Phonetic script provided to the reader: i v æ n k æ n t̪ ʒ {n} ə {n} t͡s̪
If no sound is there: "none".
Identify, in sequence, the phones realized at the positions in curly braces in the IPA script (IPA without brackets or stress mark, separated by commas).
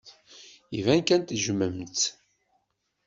m, m